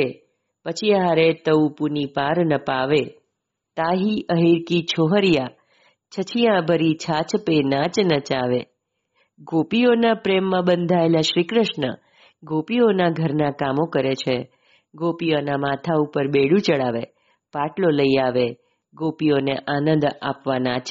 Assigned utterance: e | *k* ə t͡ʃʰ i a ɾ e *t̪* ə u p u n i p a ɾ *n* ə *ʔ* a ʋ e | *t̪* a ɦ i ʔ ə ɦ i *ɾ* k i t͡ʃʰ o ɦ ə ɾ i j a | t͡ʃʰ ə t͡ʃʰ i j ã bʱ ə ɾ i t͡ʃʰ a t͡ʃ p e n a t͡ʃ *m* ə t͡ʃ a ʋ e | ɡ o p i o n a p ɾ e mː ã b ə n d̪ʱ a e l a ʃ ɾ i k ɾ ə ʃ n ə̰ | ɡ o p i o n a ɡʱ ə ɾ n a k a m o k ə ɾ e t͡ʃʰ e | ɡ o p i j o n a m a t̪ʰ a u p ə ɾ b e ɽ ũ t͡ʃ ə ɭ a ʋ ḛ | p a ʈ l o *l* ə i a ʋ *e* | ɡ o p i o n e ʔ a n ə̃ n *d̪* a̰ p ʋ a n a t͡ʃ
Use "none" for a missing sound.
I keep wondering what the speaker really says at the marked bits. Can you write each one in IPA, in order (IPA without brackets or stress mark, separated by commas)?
p, t̪, n, p, t̪, ɾ, n, l, e, d̪